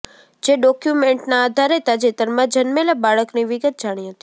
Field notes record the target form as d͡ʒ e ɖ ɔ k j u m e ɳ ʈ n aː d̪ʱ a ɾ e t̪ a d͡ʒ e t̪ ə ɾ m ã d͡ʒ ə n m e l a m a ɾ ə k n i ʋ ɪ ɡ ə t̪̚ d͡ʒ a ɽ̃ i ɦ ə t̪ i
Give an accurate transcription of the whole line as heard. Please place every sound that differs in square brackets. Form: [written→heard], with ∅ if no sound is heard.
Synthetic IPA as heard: d͡ʒ e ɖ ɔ k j u m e ɳ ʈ n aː d̪ʱ a ɾ e t̪ a d͡ʒ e t̪ ə ɾ m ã d͡ʒ ə n m e l a [m→b] a [ɾ→ɭ] ə k n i ʋ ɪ ɡ ə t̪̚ d͡ʒ a ɽ̃ i ɦ ə t̪ i